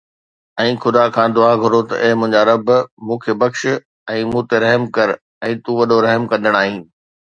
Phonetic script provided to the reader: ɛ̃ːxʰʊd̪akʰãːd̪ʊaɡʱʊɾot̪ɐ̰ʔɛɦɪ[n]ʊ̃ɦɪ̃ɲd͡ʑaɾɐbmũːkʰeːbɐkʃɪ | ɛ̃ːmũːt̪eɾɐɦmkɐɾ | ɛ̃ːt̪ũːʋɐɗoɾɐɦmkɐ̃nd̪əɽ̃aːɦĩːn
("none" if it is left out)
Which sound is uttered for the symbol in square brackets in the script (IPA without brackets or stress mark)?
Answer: m